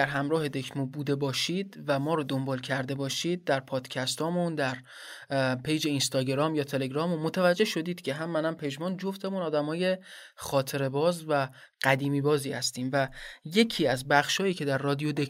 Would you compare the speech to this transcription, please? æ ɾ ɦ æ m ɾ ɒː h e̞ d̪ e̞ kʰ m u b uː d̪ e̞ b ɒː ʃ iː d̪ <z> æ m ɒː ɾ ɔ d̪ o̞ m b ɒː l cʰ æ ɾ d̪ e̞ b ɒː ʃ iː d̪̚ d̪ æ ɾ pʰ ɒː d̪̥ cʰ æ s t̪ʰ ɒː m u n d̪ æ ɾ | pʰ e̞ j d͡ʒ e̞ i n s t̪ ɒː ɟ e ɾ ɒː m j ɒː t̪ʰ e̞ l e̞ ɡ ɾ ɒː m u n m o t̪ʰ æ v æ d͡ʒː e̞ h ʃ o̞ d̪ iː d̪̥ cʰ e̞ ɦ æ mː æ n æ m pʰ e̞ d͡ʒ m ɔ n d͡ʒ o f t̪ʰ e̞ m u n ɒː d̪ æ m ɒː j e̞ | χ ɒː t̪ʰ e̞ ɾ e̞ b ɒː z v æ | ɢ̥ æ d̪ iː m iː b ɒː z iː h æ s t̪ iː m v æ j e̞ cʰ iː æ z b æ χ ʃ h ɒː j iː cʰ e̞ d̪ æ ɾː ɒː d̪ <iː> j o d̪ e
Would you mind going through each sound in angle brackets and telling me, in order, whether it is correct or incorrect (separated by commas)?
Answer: incorrect, incorrect